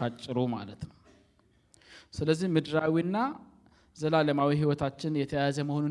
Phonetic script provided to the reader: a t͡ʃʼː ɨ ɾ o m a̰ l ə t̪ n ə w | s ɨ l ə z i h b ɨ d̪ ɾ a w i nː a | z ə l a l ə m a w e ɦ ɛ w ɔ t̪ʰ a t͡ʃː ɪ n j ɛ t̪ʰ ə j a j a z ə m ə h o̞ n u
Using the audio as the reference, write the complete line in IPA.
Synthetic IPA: a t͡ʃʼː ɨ ɾ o m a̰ l ə t̪ n ə w | s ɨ l ə zː i h m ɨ d̪ ɾ a w i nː a | z ə l a l ə m a w i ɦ i w ɔ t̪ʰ a t͡ʃː ɪ n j ɛ t̪ʰ ə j a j a z ə m ə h o̞ n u